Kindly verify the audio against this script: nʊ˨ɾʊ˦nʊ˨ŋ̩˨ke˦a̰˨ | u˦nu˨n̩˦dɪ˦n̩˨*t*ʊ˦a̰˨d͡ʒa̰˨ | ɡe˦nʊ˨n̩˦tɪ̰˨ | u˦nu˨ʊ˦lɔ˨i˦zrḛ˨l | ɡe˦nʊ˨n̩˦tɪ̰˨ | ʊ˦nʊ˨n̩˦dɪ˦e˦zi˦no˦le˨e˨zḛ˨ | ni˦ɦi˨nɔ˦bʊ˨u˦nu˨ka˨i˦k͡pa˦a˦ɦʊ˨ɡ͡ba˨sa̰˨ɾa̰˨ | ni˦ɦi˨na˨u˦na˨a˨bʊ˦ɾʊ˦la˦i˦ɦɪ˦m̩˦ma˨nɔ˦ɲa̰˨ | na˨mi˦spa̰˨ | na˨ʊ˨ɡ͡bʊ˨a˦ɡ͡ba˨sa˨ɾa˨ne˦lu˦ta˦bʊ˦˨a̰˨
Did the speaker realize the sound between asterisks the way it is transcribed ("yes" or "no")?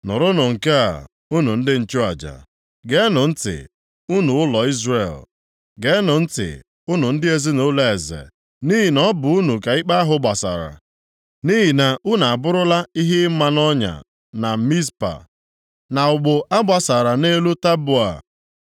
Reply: no